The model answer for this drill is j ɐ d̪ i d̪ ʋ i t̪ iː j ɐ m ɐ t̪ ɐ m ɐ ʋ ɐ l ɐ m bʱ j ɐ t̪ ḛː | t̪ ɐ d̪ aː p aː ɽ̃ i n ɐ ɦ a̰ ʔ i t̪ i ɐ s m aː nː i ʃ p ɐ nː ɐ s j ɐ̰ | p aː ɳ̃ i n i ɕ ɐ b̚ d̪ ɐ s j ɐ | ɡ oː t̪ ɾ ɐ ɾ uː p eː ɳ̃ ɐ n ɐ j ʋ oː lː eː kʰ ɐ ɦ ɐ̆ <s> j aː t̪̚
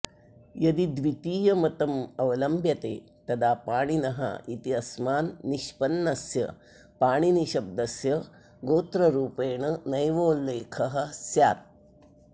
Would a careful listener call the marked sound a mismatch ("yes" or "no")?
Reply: no